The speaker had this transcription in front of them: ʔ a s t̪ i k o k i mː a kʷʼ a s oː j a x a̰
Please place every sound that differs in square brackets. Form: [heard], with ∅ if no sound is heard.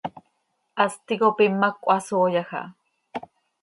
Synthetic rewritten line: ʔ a s t̪ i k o [p] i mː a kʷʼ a s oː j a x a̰